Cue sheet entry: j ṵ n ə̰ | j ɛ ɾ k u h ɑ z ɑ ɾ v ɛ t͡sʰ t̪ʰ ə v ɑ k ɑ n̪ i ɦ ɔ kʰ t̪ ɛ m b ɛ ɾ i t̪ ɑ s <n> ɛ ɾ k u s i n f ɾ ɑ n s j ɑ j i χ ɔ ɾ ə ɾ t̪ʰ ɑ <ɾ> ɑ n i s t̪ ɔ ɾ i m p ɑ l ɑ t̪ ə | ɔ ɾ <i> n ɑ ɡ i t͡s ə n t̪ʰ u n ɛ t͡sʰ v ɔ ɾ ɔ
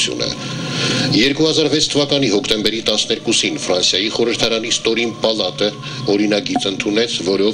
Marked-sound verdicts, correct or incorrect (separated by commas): correct, correct, correct